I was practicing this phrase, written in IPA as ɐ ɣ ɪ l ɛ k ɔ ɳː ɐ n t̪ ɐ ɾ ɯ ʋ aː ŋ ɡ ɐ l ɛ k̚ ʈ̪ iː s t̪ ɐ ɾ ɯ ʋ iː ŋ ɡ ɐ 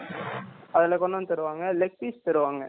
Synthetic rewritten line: ɐ ð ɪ l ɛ k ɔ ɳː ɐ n t̪ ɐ ɾ ɯ ʋ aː ŋ ɡ ɐ l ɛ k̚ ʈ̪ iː s t̪ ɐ ɾ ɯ ʋ aː ŋ ɡ ɐ